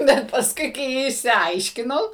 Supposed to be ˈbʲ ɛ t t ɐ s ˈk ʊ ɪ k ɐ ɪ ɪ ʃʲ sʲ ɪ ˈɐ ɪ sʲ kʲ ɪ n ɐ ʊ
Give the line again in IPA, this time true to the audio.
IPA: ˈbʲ ɛ t p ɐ s ˈk ʊ ɪ k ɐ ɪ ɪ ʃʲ sʲ ɪ ˈɐ ɪ ʃʲ kʲ ɪ n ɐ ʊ